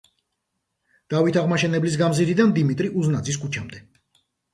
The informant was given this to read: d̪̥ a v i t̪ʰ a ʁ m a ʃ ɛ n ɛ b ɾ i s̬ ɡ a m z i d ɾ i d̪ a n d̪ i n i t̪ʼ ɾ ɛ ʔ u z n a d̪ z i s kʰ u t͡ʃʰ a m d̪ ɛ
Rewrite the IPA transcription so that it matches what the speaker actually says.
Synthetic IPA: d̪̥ a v i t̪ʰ a ʁ m a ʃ ɛ n ɛ b l i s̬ ɡ a m z i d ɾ i d̪ a n d̪ i m i t̪ʼ ɾ i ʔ u z n a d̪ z i s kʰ u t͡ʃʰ a m d̪ ɛ